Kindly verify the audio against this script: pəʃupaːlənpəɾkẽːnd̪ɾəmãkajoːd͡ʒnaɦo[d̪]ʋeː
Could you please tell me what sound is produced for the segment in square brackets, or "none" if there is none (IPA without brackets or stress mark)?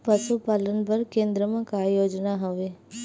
none